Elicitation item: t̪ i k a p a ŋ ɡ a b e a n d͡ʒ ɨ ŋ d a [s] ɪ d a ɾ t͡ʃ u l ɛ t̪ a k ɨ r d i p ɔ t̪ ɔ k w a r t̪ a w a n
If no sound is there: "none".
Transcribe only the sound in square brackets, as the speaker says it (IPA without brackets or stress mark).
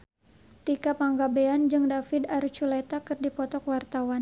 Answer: f